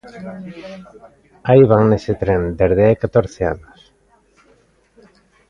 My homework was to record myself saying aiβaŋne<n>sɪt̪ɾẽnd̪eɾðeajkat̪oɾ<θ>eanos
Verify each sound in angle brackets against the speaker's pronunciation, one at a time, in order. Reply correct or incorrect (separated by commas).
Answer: incorrect, correct